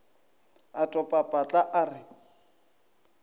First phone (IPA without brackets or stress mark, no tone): a